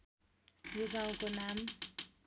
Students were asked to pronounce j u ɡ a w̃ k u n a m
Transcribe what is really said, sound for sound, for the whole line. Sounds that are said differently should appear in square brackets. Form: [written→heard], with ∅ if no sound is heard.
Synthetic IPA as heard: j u ɡ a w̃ k [u→o] n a m